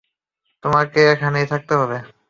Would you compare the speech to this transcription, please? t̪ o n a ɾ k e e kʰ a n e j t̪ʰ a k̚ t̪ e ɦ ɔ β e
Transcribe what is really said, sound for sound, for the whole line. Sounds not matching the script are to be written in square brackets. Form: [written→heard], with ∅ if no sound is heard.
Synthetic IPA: t̪ o [n→m] a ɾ k e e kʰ a n e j t̪ʰ a k̚ t̪ e ɦ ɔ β e